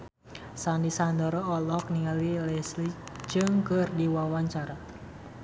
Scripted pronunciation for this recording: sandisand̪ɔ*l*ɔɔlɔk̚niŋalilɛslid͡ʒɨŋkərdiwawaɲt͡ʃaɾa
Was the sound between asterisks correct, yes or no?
no